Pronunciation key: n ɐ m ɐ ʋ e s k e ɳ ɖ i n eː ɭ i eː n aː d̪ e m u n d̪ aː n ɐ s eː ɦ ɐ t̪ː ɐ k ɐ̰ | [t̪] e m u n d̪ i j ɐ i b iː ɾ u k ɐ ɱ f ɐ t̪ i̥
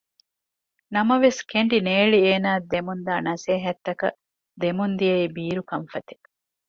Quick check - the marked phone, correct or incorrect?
incorrect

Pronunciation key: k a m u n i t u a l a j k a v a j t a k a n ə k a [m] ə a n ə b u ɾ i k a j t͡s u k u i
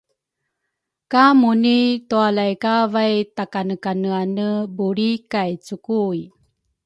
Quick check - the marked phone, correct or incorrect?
incorrect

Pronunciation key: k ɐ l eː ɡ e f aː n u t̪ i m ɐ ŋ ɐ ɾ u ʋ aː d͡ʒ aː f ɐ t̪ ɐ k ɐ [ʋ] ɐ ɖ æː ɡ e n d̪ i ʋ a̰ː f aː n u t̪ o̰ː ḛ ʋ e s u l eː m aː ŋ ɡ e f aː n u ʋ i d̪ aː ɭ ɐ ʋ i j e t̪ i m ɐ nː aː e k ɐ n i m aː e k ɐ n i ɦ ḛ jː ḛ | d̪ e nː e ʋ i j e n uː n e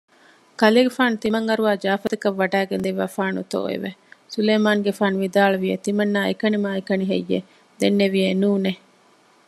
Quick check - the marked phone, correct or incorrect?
incorrect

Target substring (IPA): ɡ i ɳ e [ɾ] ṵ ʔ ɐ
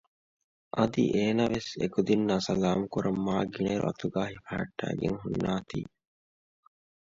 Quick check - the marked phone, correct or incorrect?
correct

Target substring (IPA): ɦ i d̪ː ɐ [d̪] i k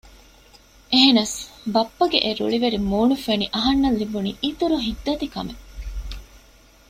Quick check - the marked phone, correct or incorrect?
incorrect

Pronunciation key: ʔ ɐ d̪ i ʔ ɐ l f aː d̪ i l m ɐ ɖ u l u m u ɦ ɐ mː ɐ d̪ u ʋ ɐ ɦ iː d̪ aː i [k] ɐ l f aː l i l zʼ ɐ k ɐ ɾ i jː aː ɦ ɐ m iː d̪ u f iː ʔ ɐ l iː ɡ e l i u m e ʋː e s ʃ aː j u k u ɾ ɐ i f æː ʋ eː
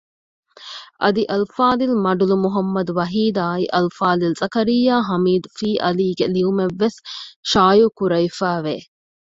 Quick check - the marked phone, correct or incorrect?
incorrect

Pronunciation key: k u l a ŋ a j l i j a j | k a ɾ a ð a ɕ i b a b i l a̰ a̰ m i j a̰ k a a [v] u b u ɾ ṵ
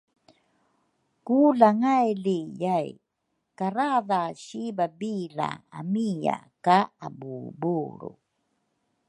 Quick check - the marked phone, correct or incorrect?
incorrect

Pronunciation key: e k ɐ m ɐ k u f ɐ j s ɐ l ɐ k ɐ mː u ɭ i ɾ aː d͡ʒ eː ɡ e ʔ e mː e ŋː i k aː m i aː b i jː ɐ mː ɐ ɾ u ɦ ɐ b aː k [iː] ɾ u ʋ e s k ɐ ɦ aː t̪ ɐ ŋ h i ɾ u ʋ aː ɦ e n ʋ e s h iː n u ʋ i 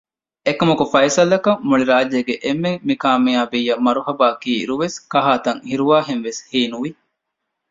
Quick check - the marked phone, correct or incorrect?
correct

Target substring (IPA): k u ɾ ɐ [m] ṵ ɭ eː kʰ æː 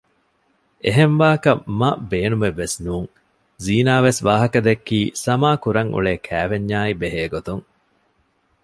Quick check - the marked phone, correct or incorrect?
incorrect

